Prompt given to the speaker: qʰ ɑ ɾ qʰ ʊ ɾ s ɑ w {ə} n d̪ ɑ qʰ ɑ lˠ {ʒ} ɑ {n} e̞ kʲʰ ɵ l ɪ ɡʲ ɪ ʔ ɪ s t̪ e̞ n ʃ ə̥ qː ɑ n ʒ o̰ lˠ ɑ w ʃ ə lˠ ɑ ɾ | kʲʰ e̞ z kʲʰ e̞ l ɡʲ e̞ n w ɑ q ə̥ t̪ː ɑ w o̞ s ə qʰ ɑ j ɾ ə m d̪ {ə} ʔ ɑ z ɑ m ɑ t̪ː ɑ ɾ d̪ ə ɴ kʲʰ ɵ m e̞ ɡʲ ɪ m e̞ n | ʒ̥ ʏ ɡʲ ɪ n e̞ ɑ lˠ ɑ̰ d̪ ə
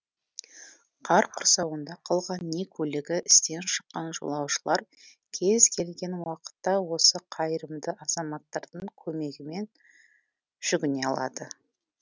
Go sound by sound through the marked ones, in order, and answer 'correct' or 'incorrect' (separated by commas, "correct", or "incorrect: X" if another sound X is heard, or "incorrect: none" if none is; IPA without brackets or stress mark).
correct, incorrect: ʁ, incorrect: nː, correct